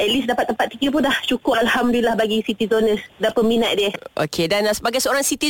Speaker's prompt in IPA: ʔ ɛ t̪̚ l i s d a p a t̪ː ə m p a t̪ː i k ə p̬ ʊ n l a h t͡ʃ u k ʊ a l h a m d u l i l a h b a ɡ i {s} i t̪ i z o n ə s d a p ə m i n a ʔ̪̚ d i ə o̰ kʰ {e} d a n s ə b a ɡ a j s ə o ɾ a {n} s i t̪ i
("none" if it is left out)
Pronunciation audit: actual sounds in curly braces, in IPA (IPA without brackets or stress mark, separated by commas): s, e, ŋ